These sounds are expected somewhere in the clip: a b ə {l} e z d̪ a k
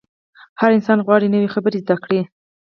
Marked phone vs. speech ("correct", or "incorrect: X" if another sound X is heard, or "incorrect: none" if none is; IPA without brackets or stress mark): incorrect: ɾ